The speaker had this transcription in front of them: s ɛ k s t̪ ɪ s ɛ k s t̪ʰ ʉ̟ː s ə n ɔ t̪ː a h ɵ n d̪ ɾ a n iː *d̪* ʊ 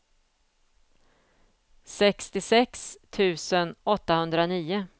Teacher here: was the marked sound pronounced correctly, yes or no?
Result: no